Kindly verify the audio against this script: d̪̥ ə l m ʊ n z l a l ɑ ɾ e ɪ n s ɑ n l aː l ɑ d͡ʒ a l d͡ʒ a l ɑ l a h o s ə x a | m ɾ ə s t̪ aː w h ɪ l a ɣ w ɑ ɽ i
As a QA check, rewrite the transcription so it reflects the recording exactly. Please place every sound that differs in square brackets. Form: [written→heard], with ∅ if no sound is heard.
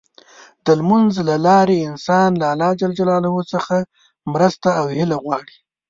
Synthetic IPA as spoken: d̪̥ ə l m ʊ n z l a l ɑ ɾ e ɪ n s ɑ n l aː l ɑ d͡ʒ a l d͡ʒ a l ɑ l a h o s ə x a | m ɾ ə s t̪ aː w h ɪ l a ɣ w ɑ ɽ i